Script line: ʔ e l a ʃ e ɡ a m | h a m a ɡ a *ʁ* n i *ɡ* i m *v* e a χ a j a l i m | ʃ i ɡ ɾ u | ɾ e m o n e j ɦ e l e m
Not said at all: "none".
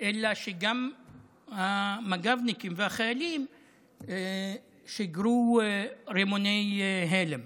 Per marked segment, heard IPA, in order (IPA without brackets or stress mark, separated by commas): v, k, v